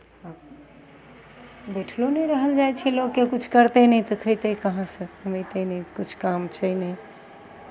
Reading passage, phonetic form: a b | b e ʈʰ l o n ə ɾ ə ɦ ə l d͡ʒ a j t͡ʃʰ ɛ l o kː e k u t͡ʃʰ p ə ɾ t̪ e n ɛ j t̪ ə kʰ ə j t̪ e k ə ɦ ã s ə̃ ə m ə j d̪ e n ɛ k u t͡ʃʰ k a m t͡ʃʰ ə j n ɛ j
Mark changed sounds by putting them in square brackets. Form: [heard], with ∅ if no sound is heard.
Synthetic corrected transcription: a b | b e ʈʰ l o n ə ɾ ə ɦ ə l d͡ʒ a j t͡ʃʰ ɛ l o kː e k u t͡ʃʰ [k] ə ɾ t̪ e n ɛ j t̪ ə kʰ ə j t̪ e k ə ɦ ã s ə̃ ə m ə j [t̪] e n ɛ k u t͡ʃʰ k a m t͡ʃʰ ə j n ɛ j